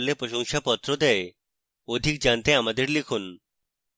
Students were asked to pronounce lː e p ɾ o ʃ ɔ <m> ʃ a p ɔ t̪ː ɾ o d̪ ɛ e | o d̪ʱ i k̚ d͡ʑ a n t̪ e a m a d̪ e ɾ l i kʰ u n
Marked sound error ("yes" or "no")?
yes